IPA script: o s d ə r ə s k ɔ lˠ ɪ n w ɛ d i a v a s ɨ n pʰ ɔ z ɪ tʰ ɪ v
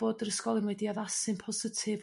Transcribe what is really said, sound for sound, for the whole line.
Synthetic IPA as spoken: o d ə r ə s k ɔ lˠ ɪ n w ɛ d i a ð a s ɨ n pʰ ɔ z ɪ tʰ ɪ v